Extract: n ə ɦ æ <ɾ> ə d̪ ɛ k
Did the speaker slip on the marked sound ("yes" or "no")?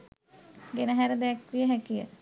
no